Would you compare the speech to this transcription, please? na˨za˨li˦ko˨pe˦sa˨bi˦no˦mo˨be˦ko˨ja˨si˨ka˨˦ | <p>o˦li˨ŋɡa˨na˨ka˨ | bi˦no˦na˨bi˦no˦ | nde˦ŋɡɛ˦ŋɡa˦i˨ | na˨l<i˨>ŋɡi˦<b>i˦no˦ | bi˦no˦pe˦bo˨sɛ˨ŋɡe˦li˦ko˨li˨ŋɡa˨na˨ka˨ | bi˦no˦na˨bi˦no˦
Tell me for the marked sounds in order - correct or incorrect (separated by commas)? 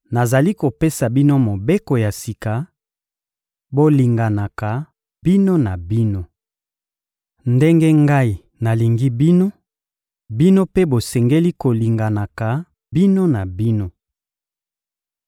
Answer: incorrect, correct, correct